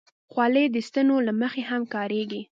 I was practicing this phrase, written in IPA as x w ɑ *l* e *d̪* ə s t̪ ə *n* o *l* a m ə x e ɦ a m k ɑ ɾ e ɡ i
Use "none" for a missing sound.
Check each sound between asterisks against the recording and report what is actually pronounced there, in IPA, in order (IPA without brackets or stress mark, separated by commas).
l, d̪, n, l